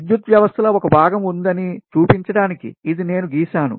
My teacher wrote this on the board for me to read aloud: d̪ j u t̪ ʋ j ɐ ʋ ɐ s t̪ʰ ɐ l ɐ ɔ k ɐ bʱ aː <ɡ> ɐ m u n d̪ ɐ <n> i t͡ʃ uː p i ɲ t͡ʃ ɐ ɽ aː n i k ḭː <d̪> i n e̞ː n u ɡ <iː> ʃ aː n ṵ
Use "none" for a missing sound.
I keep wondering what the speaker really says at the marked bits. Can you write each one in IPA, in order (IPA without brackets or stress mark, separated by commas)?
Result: ɡ, n, d̪, iː